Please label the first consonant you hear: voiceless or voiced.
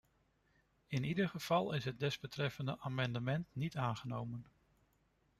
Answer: voiced